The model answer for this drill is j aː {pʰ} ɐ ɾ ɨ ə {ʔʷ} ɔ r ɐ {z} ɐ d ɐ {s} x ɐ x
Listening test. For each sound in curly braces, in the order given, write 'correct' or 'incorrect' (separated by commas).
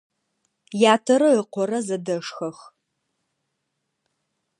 incorrect, incorrect, correct, incorrect